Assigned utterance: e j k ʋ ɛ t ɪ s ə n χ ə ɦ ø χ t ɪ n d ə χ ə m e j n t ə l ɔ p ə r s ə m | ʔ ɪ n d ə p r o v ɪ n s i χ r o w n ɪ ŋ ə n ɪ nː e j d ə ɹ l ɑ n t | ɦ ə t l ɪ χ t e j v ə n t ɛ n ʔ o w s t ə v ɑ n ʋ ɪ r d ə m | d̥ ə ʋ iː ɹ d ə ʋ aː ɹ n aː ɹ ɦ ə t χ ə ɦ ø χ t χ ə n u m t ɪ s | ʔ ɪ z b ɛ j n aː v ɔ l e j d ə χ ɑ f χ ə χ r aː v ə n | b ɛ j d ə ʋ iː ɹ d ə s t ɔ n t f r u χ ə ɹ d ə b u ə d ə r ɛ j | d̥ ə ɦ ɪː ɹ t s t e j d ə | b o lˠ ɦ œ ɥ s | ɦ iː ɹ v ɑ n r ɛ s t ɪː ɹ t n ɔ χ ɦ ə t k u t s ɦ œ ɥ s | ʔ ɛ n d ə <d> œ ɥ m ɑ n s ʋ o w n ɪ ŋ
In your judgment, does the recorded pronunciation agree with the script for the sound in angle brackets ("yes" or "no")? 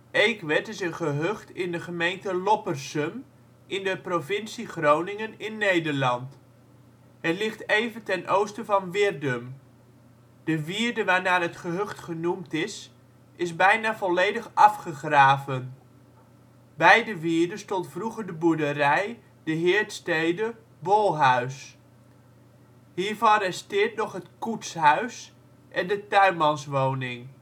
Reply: no